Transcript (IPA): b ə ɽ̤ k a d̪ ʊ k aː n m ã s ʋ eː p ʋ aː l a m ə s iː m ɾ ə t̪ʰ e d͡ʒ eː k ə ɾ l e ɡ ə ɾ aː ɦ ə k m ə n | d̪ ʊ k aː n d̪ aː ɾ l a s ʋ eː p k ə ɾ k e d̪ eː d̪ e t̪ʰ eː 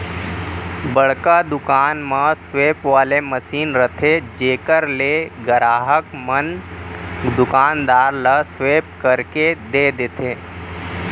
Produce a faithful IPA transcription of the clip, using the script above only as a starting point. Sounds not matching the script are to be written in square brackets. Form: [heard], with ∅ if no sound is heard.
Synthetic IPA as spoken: b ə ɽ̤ k a d̪ ʊ k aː n m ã s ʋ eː p ʋ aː l [e] m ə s iː [n] ɾ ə t̪ʰ e d͡ʒ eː k ə ɾ l e ɡ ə ɾ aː ɦ ə k m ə n | d̪ ʊ k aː n d̪ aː ɾ l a s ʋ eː p k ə ɾ k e d̪ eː d̪ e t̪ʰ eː